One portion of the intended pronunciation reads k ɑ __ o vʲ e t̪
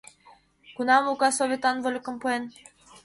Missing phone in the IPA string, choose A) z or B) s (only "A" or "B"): B